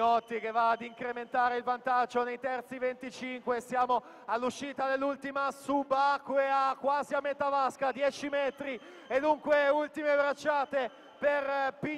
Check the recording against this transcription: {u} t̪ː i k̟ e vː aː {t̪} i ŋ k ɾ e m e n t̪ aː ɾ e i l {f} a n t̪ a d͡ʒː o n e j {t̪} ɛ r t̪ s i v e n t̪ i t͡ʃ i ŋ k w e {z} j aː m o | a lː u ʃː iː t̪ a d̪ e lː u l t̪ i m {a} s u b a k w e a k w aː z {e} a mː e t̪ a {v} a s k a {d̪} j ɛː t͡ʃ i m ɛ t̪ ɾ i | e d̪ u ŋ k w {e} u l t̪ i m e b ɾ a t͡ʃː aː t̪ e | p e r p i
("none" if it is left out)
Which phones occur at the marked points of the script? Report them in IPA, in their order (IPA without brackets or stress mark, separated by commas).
ɔ, d̪, v, t̪, s, a, i, v, d̪, e